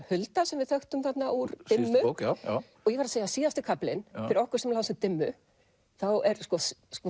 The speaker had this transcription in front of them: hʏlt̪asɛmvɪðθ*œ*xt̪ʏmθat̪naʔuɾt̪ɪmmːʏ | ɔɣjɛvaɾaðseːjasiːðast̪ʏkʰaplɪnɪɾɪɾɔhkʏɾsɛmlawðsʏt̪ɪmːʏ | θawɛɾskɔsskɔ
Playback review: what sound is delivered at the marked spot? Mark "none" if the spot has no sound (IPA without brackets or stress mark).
œ